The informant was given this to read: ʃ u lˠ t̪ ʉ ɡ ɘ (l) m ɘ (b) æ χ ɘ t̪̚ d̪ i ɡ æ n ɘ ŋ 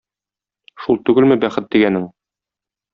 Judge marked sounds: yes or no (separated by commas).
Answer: yes, yes